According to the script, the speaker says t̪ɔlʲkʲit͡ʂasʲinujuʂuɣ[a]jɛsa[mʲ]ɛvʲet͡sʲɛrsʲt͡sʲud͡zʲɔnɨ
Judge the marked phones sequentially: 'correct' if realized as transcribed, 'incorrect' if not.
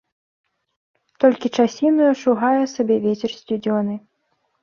correct, incorrect: bʲ

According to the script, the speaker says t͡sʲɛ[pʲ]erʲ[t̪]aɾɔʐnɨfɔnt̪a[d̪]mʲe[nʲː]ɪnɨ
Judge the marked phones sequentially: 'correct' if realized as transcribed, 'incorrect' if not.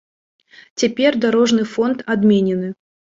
correct, incorrect: d̪, correct, incorrect: nʲ

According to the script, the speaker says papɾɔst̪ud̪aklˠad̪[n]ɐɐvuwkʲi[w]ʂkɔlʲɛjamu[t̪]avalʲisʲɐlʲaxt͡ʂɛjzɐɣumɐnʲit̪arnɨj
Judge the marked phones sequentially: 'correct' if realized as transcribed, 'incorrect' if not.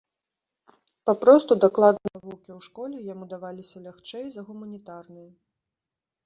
correct, correct, incorrect: d̪

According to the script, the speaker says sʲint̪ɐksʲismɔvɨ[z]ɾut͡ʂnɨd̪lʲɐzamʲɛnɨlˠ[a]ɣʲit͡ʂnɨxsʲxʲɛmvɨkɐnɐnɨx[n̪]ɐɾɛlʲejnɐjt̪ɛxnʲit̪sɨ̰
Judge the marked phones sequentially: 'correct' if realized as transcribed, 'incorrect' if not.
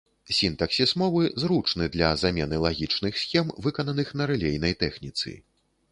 correct, correct, correct

